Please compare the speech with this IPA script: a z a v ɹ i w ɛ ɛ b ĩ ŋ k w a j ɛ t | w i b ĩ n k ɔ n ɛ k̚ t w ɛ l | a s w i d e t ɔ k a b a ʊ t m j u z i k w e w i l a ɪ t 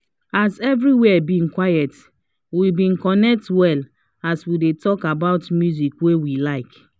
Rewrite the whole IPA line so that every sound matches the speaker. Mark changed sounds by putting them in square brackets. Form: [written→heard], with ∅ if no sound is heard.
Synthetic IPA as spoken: a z [a→ɛ] v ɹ i w ɛ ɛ b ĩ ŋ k w a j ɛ t | w i b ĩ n k ɔ n ɛ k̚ t w ɛ l | a s w i d e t ɔ k a b a ʊ t m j u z i k w e w i l a ɪ [t→k]